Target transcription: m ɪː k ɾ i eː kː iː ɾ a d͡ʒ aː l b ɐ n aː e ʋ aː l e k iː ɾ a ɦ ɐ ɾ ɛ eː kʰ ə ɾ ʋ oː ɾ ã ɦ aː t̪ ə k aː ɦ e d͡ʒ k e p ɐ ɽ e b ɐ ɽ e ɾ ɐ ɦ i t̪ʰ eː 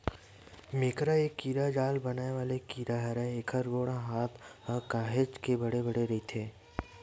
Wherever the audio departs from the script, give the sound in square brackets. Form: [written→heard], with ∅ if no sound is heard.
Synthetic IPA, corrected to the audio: m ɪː k ɾ [i→a] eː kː iː ɾ a d͡ʒ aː l b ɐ n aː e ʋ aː l e k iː ɾ a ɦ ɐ ɾ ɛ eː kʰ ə ɾ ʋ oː [ɾ→ɽ] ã ɦ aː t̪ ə k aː ɦ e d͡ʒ k e [p→b] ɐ ɽ e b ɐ ɽ e ɾ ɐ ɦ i t̪ʰ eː